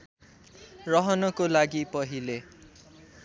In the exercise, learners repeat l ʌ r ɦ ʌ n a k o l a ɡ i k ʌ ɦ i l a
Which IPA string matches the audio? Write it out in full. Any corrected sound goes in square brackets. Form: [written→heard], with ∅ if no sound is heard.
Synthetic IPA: [l→r] ʌ [r→∅] ɦ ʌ n [a→ʌ] k o l a ɡ i [k→p] ʌ ɦ i l [a→e]